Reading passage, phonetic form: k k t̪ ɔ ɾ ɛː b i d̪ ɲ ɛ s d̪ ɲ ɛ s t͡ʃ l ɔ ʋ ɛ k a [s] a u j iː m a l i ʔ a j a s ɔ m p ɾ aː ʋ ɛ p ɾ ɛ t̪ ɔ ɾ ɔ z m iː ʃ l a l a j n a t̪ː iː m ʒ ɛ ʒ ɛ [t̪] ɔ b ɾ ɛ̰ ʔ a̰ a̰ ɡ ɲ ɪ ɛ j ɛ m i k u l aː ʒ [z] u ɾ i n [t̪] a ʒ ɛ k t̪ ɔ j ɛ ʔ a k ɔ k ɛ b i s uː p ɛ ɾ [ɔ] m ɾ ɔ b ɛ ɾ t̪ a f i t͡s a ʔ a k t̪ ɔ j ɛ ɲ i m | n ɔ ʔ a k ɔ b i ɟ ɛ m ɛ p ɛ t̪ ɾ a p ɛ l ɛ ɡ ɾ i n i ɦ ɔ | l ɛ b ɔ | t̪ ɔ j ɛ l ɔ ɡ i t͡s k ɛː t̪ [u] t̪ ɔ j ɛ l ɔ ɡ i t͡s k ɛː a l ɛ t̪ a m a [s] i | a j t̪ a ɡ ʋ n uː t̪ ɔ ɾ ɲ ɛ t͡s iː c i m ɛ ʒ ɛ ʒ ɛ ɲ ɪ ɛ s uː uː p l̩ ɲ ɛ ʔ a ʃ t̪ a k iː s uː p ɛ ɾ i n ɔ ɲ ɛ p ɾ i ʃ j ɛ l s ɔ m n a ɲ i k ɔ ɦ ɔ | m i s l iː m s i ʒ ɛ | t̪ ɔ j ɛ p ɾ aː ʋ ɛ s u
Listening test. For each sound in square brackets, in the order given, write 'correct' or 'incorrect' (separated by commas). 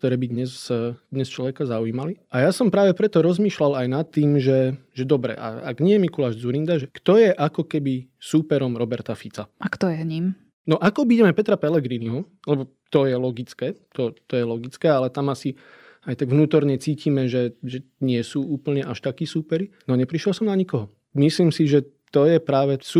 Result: incorrect, incorrect, incorrect, incorrect, correct, incorrect, correct